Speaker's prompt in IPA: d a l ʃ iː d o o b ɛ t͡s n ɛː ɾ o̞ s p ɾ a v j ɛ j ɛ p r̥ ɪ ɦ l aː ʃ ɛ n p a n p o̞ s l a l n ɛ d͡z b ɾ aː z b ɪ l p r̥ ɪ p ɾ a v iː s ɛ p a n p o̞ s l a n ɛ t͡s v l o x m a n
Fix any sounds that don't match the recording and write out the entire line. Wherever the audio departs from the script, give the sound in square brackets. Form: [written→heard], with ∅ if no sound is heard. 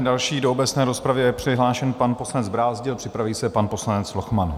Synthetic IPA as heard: d a l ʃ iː d o o b ɛ t͡s n ɛː ɾ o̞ s p ɾ a v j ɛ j ɛ p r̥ ɪ ɦ l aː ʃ ɛ n p a n p o̞ s l a [l→∅] n ɛ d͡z b ɾ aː z [b→ɟ] ɪ l p r̥ ɪ p ɾ a v iː s ɛ p a n p o̞ s l a n ɛ t͡s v l o x m a n